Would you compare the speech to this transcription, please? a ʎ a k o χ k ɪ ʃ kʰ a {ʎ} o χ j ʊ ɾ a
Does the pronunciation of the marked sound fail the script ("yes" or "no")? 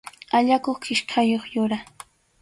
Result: yes